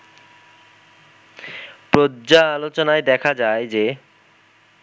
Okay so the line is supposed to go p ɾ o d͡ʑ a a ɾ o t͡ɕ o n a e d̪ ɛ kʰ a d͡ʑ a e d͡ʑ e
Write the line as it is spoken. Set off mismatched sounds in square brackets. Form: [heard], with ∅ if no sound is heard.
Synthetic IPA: p ɾ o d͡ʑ a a [l] o t͡ɕ o n a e d̪ ɛ kʰ a d͡ʑ a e d͡ʑ e